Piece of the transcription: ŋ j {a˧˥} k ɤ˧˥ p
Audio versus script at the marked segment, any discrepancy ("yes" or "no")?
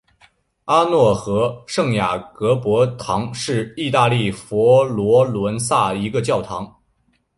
yes